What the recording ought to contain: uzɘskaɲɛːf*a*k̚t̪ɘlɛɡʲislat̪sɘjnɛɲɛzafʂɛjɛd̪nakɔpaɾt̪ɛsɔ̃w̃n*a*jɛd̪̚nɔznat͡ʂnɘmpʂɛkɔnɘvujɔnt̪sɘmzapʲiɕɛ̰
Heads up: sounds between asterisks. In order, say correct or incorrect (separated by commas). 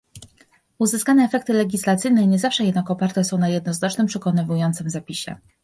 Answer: incorrect, correct